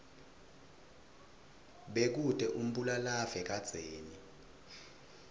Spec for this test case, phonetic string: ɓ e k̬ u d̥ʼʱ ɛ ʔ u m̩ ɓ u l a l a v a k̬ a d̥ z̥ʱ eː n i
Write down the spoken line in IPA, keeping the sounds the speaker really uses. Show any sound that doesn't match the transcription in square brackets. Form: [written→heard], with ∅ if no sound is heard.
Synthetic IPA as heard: ɓ e k̬ u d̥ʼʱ ɛ ʔ u m̩ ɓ u l a l a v [a→ɛ] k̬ a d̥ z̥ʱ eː n i